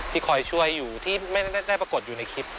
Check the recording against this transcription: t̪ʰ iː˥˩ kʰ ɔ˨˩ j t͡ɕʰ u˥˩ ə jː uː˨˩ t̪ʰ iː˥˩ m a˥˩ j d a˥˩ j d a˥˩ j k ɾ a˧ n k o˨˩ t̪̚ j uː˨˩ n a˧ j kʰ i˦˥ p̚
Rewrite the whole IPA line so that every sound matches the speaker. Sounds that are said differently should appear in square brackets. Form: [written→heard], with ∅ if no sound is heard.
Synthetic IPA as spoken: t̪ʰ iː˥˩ kʰ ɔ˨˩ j t͡ɕʰ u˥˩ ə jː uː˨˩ t̪ʰ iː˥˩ m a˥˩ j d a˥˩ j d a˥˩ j [k→p] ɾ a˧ [n→∅] k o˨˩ t̪̚ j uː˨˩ n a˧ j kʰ i˦˥ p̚